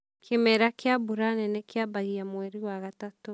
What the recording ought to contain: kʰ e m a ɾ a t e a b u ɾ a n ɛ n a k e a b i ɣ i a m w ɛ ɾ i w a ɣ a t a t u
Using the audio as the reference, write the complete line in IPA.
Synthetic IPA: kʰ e m ɛ ɾ a k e a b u ɾ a n ɛ n ɛ k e a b a ɣ i a m w ɛ ɾ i w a ɣ a t a t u